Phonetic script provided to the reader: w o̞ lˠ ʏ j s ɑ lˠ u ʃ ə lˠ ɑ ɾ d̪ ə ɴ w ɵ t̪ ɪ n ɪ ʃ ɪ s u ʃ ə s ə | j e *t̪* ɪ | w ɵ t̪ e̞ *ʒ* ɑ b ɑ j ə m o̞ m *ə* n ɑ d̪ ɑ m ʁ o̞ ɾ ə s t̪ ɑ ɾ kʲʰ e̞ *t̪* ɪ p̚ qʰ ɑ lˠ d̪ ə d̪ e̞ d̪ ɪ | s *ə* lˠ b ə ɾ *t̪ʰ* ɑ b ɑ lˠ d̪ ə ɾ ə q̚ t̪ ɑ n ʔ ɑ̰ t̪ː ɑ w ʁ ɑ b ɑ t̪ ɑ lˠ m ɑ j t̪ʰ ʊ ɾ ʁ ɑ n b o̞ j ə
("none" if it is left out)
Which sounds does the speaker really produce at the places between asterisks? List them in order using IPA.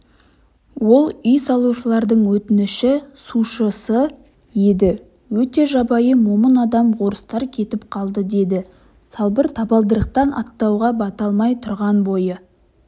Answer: d̪, ʒ, ə, t̪, ɑ, t̪ʰ

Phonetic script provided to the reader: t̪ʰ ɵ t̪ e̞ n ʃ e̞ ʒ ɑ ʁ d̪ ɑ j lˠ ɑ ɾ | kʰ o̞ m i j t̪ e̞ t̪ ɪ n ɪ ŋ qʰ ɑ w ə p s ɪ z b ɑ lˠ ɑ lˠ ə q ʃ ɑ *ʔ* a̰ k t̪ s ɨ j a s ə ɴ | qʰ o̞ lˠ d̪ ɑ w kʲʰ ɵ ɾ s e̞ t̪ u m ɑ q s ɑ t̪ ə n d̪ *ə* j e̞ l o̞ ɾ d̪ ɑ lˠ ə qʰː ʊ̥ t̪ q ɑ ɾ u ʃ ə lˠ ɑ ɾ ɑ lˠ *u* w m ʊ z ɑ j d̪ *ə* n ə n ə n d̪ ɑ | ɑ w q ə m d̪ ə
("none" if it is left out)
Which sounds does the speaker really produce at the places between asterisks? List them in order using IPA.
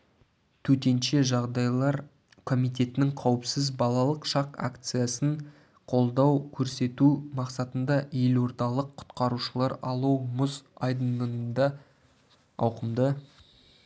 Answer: q, ɑ, u, ə

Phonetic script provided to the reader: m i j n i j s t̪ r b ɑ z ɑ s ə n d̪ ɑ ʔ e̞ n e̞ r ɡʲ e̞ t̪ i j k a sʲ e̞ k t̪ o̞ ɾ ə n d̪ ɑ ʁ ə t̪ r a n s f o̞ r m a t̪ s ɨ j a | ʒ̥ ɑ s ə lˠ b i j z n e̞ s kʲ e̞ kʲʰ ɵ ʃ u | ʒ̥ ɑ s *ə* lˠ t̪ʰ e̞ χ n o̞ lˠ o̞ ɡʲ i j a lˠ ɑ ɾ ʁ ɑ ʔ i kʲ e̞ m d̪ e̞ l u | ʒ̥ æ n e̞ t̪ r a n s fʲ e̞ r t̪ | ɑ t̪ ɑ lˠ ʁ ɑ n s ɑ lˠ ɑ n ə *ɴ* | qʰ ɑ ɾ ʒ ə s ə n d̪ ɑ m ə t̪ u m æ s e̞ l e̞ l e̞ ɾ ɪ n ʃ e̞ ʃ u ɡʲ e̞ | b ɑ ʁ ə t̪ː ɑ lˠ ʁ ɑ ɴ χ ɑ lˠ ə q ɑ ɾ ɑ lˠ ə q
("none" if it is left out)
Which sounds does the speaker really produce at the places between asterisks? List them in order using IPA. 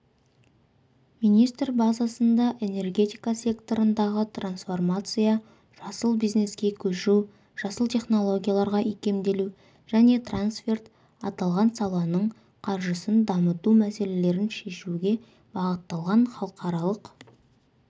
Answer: ə, ɴ

